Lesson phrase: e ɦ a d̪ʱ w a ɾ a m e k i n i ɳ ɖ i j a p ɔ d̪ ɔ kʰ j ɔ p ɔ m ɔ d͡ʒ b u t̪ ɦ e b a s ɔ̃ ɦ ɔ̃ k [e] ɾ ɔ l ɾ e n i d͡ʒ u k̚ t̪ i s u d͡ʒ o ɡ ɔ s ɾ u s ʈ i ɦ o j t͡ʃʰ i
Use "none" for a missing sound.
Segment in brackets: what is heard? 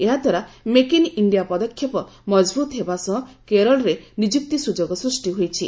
e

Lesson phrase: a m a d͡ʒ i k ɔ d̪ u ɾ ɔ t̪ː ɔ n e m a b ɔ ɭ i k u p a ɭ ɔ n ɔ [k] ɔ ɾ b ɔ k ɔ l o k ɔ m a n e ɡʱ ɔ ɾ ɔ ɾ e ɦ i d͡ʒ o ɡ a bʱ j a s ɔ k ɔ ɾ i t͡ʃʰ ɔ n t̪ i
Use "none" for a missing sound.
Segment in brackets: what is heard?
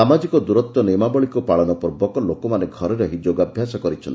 p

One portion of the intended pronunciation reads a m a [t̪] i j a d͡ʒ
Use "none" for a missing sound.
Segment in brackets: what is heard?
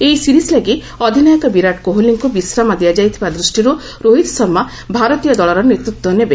d̪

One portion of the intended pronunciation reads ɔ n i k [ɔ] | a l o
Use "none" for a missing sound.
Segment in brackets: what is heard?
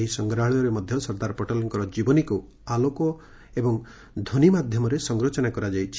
u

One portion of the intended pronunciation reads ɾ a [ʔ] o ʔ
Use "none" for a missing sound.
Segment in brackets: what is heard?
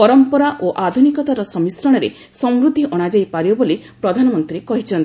ʔ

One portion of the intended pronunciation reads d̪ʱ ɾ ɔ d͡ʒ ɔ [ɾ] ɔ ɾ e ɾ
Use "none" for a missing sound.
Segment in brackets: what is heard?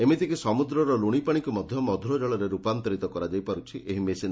ɭ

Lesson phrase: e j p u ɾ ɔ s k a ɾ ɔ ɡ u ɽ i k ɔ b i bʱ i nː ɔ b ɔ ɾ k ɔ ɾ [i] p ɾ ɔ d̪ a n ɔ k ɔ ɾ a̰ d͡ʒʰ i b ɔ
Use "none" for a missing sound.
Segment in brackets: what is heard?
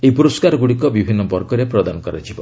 e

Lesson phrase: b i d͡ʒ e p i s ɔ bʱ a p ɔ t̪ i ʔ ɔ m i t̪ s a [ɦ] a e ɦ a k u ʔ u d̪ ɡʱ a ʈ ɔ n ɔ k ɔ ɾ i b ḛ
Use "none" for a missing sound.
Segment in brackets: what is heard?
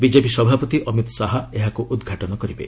ɦ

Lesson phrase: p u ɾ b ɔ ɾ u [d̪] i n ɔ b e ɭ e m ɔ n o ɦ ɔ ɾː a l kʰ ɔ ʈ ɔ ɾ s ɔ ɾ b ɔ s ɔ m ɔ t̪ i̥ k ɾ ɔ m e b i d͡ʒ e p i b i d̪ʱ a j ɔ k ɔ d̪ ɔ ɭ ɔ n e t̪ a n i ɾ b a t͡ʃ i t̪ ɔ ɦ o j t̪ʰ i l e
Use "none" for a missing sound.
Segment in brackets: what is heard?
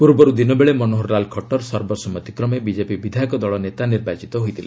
d̪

